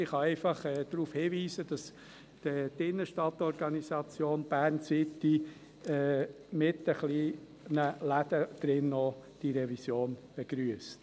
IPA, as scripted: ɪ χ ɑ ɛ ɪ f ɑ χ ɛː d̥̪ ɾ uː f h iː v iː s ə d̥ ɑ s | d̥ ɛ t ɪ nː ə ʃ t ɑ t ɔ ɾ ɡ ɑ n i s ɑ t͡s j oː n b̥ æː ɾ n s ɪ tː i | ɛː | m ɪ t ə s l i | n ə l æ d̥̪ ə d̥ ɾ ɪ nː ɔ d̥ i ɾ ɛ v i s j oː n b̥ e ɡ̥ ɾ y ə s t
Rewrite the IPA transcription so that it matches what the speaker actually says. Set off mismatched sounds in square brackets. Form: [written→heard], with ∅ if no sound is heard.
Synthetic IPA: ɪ χ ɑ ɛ ɪ f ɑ χ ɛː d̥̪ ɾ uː f h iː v iː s ə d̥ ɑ s | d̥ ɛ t ɪ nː ə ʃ t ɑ t ɔ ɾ ɡ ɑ n i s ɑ t͡s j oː n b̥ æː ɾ n s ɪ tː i | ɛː | m ɪ t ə [s→χ] l i | n ə l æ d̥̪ ə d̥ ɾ ɪ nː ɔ d̥ i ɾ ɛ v i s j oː n b̥ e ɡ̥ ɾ y ə s t